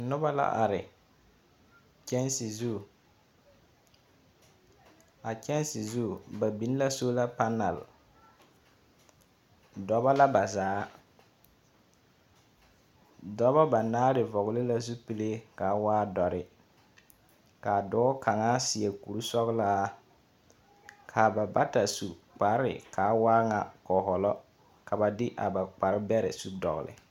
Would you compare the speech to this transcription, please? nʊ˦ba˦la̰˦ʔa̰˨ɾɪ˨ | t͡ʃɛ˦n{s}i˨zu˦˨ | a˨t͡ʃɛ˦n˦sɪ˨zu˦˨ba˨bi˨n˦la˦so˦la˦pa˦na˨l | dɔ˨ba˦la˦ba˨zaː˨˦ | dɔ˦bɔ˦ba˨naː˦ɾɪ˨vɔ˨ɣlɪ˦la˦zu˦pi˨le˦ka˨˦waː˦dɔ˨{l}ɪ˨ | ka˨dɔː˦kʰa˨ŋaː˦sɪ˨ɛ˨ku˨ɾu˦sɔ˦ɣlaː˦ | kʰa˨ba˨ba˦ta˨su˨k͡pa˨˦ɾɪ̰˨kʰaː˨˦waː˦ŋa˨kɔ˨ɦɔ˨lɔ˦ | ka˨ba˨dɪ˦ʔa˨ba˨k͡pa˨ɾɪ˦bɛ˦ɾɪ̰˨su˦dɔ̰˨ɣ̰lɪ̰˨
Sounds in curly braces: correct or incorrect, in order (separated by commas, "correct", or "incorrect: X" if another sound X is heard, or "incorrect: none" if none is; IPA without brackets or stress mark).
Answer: correct, incorrect: ɾ